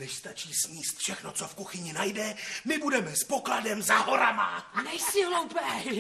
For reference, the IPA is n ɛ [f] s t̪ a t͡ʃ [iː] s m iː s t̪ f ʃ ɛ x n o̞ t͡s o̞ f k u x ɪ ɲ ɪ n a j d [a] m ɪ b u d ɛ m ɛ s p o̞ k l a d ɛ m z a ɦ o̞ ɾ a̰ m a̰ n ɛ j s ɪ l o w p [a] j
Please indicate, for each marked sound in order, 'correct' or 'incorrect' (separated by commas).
incorrect, correct, incorrect, incorrect